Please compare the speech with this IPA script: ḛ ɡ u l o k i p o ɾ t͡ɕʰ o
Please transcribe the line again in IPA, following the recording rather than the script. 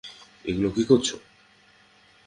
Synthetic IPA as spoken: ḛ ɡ u l o k i k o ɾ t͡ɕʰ o